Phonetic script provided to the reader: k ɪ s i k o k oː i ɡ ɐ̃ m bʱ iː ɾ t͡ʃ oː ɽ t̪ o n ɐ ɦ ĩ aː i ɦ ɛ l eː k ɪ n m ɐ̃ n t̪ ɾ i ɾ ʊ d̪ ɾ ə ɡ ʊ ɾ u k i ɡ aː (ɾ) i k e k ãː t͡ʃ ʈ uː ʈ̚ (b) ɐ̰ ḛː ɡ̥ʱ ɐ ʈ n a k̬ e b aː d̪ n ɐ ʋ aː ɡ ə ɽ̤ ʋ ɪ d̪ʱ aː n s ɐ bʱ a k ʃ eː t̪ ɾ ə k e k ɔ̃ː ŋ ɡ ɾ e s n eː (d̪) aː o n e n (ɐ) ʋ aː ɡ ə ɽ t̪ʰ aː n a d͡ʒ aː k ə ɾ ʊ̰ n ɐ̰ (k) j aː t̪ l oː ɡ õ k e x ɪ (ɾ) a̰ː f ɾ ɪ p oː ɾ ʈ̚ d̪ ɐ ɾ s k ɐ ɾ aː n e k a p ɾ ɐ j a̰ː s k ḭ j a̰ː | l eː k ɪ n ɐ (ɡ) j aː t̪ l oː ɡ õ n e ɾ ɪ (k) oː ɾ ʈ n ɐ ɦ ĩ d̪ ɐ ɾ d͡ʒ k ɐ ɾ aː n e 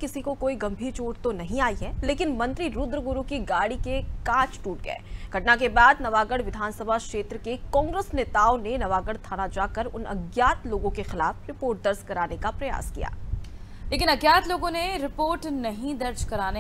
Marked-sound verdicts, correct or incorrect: incorrect: ɽ, incorrect: ɡ, incorrect: t̪, correct, incorrect: ɡ, incorrect: l, correct, incorrect: p

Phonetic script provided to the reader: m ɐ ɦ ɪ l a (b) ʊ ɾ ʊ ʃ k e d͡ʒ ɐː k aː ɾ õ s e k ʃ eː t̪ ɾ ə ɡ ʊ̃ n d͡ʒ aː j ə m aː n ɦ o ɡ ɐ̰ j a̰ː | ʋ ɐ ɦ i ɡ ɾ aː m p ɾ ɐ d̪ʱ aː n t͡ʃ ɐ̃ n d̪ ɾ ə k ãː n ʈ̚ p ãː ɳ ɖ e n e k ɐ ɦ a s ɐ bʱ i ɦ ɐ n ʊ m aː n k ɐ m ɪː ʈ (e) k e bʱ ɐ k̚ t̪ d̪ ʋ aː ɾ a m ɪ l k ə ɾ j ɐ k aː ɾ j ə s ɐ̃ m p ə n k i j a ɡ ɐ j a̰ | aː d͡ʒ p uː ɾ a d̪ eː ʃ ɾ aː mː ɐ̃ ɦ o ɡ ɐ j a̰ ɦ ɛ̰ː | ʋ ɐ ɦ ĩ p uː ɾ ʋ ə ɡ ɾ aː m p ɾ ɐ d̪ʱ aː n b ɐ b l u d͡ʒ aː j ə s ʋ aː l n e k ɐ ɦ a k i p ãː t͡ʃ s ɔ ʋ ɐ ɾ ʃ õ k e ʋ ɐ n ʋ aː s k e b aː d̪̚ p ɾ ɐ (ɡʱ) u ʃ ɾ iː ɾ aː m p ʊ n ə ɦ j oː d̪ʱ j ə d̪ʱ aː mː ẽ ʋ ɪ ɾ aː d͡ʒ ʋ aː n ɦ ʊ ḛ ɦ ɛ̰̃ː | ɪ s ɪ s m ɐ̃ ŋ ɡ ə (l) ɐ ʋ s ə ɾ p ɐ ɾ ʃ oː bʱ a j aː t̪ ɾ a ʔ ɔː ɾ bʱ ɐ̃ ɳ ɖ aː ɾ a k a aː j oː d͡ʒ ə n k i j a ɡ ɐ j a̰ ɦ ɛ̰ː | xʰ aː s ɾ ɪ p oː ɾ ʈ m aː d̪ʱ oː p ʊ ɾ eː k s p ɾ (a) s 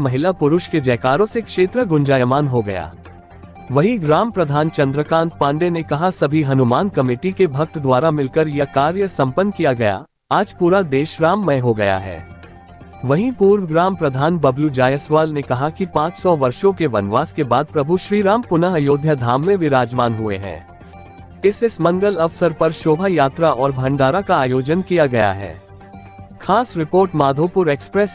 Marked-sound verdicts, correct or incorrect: incorrect: p, incorrect: i, incorrect: bʱ, correct, incorrect: ɛ

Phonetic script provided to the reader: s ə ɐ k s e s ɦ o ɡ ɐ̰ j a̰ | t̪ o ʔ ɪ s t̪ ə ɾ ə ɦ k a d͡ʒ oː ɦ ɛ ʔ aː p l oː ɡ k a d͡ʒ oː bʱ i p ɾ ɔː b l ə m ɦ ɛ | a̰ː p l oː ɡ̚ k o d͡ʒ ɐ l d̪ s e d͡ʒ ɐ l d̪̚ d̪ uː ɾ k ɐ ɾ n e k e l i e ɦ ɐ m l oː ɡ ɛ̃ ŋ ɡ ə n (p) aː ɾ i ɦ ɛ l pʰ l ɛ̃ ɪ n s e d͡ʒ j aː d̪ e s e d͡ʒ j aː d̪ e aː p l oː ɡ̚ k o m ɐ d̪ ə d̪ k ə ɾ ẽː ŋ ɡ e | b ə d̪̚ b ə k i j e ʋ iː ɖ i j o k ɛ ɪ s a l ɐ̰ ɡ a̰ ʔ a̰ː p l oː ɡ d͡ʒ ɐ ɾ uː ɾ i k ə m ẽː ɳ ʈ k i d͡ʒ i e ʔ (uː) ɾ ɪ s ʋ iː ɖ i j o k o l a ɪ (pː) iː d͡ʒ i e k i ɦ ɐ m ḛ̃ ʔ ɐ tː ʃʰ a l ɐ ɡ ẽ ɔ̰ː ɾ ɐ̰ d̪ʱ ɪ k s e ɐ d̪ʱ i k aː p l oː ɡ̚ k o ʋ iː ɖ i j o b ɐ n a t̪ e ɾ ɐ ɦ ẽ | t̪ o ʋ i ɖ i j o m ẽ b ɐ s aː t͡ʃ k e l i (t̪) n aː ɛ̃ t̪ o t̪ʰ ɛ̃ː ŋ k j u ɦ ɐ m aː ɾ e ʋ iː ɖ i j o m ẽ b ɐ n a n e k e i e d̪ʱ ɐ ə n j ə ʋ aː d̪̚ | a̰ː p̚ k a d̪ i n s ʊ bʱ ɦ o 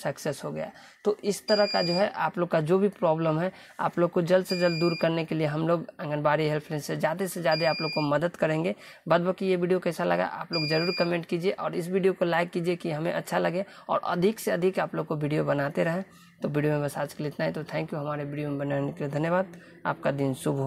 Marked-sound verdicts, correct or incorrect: incorrect: b, incorrect: ɔː, incorrect: kː, correct

